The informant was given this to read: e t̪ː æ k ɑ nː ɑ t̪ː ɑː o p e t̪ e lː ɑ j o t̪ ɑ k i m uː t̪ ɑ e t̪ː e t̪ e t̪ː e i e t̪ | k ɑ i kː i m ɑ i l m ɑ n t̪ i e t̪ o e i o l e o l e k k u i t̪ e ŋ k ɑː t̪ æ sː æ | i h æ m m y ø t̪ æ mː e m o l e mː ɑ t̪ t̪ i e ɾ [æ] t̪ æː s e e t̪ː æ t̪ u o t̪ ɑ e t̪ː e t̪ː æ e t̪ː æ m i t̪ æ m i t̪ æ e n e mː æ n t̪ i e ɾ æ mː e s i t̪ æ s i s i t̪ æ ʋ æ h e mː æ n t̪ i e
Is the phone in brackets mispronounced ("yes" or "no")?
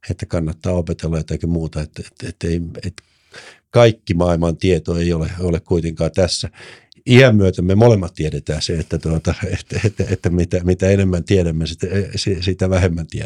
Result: yes